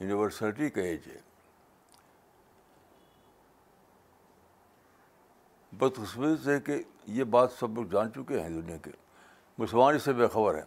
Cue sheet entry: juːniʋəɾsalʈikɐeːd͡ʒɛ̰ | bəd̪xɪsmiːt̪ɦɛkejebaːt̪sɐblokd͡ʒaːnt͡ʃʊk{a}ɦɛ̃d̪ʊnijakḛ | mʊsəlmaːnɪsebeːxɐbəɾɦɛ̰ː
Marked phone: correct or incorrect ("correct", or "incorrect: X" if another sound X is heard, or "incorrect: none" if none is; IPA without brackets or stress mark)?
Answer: incorrect: e